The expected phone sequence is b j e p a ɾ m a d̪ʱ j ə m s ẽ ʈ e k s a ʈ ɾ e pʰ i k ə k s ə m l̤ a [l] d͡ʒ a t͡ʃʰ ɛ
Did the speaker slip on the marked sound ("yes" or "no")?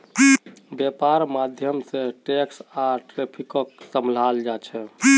no